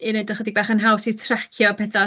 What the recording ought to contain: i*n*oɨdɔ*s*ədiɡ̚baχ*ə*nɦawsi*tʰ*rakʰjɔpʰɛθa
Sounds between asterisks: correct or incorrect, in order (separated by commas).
correct, incorrect, correct, correct